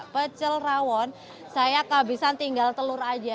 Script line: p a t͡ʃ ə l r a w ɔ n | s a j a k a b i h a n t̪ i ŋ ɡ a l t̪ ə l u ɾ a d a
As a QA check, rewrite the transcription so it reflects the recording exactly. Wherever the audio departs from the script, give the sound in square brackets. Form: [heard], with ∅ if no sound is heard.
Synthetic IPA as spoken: p [ə] t͡ʃ ə l r a w ɔ n | s a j a k a b i [s] a n t̪ i ŋ ɡ a l t̪ ə l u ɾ a [d͡ʒ] a